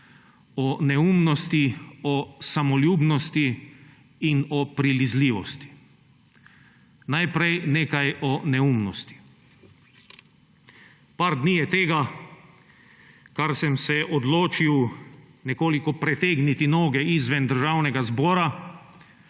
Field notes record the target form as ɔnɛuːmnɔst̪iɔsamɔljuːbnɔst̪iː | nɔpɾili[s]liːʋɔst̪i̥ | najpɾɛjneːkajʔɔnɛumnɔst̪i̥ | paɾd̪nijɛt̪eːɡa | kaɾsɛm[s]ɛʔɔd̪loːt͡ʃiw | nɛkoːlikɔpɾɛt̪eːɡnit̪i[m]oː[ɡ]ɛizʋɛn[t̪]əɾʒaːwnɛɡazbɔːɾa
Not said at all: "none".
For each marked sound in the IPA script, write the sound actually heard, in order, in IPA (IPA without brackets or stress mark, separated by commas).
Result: z, s, n, ɡ, d̪